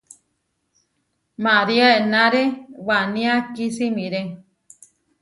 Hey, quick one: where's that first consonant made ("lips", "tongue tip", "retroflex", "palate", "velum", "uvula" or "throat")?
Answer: lips